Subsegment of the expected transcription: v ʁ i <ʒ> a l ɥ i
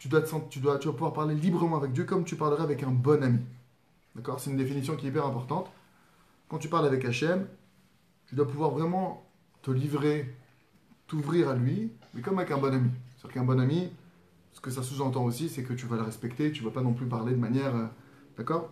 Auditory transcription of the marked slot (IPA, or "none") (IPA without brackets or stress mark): ʁ